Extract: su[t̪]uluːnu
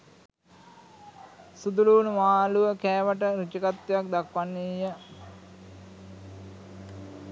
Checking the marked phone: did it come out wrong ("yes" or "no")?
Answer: yes